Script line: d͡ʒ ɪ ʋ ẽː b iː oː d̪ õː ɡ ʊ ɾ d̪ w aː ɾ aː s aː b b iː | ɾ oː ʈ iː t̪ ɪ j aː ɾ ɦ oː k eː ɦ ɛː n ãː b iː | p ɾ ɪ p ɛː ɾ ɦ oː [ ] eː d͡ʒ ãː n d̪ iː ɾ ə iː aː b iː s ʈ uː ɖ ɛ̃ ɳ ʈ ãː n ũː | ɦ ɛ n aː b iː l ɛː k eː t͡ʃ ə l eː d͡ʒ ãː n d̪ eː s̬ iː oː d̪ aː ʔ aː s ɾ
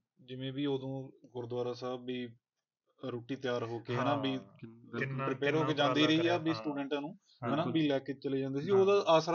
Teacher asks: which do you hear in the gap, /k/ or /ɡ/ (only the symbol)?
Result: k